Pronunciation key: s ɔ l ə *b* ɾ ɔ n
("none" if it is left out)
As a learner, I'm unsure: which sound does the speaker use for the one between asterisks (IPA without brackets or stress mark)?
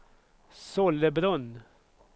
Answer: b